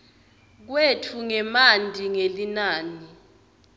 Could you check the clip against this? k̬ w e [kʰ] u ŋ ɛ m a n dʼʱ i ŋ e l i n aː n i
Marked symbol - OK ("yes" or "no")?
no